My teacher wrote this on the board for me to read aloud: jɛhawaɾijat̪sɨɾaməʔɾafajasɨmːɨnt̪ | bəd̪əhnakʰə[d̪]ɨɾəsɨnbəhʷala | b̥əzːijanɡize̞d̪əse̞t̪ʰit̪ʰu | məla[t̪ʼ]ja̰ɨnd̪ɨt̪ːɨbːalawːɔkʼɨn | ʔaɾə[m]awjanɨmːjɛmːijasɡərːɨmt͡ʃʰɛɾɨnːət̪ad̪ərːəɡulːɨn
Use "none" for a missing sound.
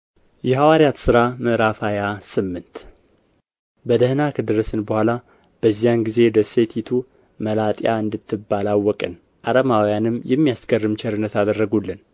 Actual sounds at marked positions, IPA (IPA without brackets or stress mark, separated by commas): d̪, t̪ʼ, m